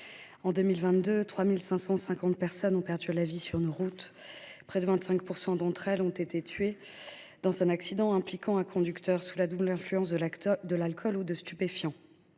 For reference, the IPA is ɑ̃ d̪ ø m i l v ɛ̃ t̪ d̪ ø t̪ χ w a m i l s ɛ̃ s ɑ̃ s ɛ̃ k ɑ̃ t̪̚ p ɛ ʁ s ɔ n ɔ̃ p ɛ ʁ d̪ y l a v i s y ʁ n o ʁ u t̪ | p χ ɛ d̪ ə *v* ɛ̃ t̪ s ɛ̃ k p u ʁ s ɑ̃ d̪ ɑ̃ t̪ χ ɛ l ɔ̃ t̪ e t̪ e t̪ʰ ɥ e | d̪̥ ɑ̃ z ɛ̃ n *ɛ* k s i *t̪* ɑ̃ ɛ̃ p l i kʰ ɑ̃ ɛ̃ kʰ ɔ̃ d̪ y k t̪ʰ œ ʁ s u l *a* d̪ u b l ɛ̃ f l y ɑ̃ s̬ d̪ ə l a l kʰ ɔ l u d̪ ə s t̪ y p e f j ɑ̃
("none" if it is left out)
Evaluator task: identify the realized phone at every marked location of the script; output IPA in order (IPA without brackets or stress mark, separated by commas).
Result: v, a, d̪, a